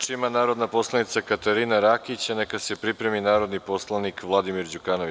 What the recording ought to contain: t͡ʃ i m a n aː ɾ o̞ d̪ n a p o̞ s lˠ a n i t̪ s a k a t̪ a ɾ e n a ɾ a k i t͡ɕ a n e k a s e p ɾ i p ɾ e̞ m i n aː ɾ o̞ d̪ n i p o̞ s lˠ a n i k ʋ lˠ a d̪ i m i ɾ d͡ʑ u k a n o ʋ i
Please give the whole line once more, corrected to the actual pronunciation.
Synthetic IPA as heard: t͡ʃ i m a n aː ɾ o̞ d̪ n a p o̞ s lˠ a n i t̪ s a k a t̪ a ɾ i n a ɾ a k i t͡ɕ a n e k a s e p ɾ i p ɾ e̞ m i n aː ɾ o̞ d̪ n i p o̞ s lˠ a n i k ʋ lˠ a d̪ i m i ɾ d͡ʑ u k a n o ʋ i